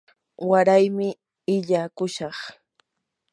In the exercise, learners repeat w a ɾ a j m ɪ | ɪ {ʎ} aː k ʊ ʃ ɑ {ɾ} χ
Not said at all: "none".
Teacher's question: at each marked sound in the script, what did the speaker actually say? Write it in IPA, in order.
ʎ, none

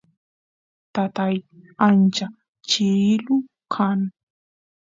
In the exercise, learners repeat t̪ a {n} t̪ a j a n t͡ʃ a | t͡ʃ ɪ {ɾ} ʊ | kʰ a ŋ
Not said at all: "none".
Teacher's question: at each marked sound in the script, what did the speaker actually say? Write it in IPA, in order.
none, l

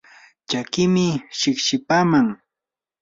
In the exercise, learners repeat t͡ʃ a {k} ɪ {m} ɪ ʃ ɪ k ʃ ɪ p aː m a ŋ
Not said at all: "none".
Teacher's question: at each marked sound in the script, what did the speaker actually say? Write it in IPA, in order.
k, m

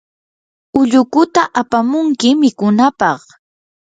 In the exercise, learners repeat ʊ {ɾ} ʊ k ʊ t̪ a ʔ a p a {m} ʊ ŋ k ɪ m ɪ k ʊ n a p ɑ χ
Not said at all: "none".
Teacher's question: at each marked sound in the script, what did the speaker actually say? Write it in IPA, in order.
ʎ, m

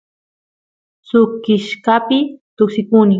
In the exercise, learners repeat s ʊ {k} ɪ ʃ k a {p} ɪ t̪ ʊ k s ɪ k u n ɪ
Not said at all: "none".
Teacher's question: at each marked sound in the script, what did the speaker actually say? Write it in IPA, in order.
k, p

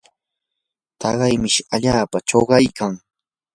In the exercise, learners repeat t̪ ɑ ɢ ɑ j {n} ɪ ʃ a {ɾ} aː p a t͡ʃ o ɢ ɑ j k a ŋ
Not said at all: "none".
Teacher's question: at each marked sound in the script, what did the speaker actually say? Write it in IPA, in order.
m, ʎ

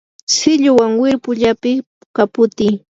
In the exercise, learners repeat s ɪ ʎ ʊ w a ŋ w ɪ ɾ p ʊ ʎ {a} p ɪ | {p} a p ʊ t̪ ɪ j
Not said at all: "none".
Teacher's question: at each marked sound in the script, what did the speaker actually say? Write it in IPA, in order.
a, k

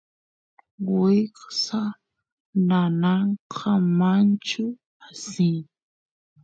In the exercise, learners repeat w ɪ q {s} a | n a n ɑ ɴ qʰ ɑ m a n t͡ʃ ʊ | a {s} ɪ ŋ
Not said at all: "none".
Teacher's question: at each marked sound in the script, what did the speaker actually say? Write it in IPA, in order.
s, s

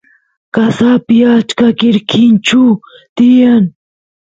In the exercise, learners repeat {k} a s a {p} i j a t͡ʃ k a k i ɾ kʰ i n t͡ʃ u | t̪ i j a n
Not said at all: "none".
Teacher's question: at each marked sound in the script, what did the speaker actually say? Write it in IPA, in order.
k, p

